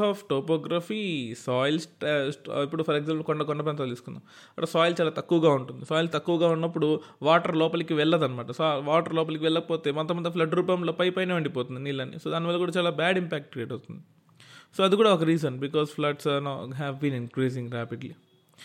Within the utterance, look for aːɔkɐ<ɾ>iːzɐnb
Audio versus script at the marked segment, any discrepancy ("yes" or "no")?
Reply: no